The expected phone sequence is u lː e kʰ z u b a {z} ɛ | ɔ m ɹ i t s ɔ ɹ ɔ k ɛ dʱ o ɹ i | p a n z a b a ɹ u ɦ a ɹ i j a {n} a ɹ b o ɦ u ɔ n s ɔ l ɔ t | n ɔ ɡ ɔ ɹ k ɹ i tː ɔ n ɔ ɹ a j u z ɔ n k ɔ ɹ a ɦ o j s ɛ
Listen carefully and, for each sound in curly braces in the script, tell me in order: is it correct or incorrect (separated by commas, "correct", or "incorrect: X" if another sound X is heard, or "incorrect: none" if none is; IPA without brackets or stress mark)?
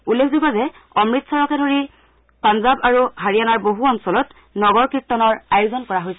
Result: correct, correct